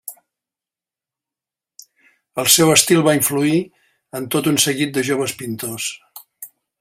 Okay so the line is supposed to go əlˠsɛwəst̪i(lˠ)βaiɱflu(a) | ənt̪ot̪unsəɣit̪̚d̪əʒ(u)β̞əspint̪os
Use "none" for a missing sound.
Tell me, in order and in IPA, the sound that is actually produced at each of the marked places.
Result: lˠ, i, o

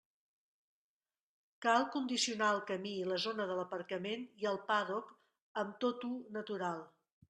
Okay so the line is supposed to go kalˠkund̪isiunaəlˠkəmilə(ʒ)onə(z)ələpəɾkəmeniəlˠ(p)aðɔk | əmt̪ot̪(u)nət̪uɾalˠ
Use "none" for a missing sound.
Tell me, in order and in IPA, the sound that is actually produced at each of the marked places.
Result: z, ð, p, u

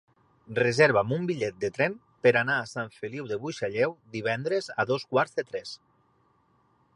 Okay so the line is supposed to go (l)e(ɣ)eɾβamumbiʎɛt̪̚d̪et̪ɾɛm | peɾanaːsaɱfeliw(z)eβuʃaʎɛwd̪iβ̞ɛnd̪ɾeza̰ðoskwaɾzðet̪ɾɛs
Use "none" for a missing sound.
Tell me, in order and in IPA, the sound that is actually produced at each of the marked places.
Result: r, z, ð

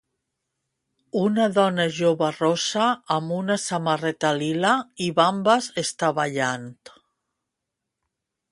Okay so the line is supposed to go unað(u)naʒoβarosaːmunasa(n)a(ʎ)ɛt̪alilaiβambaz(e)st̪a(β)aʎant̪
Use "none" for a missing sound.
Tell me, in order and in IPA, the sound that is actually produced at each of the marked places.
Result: ɔ, m, r, e, β

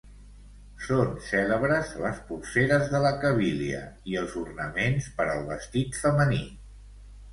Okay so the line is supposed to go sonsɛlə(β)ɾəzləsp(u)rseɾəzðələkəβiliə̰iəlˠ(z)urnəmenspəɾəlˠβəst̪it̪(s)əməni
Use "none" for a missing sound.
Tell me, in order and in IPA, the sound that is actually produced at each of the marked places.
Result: β, u, z, f

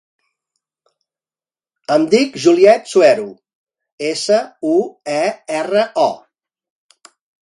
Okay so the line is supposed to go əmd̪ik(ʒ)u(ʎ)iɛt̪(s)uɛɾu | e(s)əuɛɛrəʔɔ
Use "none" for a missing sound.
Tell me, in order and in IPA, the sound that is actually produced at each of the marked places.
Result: ʒ, l, s, s

